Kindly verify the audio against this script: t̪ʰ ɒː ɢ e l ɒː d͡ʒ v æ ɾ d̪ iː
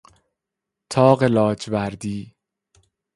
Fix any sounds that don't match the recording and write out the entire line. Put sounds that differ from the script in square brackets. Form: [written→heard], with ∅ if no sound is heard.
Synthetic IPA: t̪ʰ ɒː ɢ e l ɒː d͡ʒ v æ ɾ d̪ iː